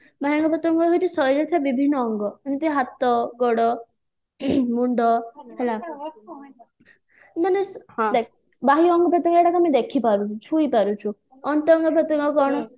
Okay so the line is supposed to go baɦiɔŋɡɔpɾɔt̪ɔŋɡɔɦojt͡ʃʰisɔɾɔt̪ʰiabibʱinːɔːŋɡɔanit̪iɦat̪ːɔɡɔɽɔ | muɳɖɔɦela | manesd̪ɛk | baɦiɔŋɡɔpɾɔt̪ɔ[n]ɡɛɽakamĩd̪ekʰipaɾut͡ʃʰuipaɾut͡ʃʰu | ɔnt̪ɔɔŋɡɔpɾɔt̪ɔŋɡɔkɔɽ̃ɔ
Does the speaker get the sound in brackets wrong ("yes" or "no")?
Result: yes